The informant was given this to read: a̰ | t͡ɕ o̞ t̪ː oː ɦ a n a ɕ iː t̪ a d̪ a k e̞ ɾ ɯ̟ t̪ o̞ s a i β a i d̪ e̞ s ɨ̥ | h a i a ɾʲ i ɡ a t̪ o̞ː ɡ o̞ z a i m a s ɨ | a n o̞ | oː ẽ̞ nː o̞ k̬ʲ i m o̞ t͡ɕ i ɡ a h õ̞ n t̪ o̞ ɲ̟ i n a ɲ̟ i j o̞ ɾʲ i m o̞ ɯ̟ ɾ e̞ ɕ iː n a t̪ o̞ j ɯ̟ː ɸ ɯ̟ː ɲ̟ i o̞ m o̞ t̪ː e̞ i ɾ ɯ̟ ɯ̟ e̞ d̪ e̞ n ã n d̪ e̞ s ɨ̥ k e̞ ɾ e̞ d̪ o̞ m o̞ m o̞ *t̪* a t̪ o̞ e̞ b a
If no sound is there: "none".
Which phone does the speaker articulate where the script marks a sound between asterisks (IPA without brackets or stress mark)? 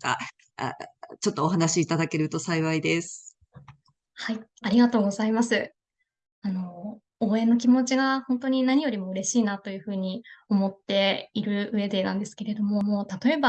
t̪